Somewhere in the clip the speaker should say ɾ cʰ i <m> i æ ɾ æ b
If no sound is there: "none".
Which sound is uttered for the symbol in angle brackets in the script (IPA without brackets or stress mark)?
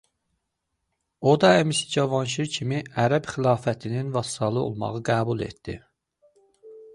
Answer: m